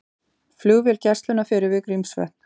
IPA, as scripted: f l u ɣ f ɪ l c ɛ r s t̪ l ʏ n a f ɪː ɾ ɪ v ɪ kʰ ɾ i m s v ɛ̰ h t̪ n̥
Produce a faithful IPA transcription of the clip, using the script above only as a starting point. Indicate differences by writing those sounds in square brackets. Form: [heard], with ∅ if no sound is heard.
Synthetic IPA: f l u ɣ [v] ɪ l c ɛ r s t̪ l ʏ n a f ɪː ɾ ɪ v ɪ [k] ɾ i m s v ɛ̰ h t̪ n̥